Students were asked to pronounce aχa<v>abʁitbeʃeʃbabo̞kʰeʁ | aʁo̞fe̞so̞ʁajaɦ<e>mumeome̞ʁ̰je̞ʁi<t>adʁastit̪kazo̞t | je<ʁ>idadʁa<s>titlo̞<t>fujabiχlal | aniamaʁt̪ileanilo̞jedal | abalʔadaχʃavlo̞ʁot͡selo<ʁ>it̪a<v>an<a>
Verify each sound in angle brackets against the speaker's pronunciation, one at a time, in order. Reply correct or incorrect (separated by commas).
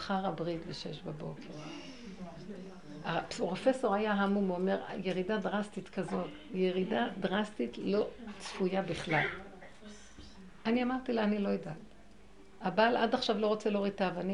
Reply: incorrect, incorrect, incorrect, correct, correct, incorrect, correct, correct, incorrect